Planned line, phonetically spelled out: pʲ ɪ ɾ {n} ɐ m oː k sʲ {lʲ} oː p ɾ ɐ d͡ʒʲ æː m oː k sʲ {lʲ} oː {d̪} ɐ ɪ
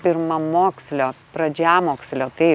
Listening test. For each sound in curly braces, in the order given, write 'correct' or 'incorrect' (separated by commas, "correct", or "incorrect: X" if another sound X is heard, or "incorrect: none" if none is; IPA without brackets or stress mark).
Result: incorrect: m, correct, correct, incorrect: t̪